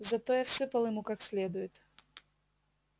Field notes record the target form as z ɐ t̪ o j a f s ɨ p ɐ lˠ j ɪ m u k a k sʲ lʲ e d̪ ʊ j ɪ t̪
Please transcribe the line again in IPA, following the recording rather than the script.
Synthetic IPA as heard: z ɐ t̪ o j a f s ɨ p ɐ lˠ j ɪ m u k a k sʲ lʲ e d̪ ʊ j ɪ t̪